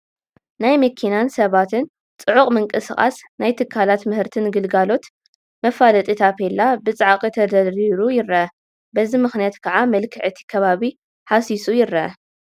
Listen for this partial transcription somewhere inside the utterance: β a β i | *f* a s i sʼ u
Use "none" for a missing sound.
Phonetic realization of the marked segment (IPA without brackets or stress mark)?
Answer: ħ